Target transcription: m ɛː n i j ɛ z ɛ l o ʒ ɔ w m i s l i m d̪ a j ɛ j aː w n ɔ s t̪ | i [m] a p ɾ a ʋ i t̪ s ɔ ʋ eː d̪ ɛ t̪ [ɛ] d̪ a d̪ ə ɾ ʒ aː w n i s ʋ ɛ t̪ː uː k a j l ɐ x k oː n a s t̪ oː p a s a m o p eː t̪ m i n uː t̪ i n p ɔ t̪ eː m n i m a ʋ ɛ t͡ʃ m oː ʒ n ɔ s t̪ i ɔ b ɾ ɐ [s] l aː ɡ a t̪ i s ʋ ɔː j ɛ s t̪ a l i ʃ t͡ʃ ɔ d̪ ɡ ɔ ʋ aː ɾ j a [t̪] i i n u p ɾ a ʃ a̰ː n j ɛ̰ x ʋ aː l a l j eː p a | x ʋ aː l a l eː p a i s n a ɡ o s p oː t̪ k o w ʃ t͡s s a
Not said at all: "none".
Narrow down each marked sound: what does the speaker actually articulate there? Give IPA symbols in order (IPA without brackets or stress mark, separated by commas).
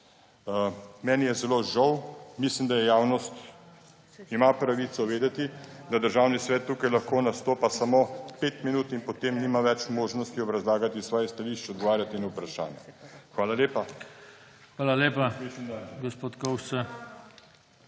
m, i, z, t̪